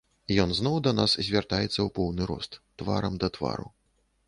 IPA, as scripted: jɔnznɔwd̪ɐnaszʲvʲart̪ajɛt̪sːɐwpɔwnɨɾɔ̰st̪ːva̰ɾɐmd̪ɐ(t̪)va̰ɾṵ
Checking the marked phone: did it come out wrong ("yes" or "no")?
no